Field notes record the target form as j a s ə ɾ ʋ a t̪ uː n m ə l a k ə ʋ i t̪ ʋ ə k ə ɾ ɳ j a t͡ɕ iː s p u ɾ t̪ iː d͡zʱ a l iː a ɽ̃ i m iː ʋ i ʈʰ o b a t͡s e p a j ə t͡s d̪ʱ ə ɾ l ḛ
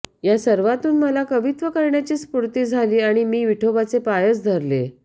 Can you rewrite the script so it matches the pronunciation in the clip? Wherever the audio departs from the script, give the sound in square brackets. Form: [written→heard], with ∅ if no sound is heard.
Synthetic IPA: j a s ə ɾ ʋ a t̪ uː n m ə l a k ə ʋ i t̪ ʋ ə k ə ɾ ɳ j a t͡ɕ iː s p u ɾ t̪ iː d͡zʱ a l iː a ɽ̃ i m iː ʋ i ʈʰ o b a t͡s e p a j ə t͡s d̪ʱ ə ɾ l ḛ